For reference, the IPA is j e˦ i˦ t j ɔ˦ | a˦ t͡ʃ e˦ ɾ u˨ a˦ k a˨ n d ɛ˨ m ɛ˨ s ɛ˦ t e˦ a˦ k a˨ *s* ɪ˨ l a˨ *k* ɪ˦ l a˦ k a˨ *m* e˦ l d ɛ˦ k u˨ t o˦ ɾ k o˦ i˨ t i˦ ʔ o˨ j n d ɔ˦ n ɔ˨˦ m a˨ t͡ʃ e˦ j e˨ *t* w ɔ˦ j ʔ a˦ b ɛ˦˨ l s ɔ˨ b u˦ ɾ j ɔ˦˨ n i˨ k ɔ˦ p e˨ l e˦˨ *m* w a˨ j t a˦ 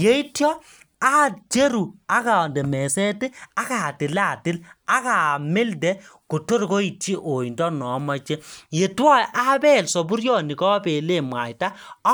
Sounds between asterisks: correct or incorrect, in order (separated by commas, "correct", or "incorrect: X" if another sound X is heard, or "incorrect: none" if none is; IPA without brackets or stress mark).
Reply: incorrect: t, incorrect: t, correct, correct, correct